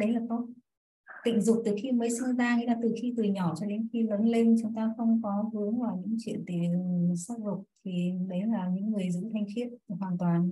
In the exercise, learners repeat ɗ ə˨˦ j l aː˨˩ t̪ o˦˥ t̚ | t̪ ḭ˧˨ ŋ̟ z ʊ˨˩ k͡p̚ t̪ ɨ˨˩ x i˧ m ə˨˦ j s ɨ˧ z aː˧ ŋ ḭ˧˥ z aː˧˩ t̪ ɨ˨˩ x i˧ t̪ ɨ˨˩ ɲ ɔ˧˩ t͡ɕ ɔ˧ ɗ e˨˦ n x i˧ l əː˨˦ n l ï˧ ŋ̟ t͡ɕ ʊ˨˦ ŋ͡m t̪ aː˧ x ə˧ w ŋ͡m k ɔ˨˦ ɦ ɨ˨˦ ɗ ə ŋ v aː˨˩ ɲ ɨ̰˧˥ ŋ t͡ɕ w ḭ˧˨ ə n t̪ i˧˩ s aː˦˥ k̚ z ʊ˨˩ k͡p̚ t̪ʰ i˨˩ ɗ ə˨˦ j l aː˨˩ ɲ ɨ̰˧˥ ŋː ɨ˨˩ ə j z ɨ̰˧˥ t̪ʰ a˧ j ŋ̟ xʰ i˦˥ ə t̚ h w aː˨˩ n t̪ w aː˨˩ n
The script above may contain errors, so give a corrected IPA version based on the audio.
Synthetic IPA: ɗ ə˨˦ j l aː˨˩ t̪ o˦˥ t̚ | t̪ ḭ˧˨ ŋ̟ z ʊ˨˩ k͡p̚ t̪ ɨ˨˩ x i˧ m ə˨˦ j s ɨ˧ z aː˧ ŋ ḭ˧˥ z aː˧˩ t̪ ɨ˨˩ x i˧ t̪ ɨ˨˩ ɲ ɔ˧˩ t͡ɕ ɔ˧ ɗ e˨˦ n x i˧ l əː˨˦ n l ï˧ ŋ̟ t͡ɕ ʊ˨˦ ŋ͡m t̪ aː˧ x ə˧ w ŋ͡m k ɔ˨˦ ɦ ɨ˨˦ ə ŋ v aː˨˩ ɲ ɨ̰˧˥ ŋ t͡ɕ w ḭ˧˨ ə n t̪ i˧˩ s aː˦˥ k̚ z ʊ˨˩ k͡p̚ t̪ʰ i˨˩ ɗ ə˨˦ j l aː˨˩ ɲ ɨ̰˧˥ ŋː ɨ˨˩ ə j z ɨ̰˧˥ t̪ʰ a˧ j ŋ̟ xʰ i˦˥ ə t̚ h w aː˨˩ n t̪ w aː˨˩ n